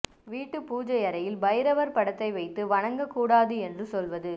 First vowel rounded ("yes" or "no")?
no